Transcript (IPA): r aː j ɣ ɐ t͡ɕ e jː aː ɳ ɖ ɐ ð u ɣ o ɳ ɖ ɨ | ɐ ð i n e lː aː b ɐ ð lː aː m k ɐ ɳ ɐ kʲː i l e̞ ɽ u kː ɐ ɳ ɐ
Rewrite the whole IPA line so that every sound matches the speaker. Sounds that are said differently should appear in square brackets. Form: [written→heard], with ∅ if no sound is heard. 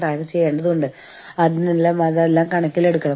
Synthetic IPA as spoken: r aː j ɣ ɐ t͡ɕ e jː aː ɳ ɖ ɐ ð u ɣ o ɳ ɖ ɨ | ɐ ð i n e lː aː [b→m] ɐ ð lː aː m k ɐ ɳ ɐ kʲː i l e̞ ɽ u kː ɐ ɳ ɐ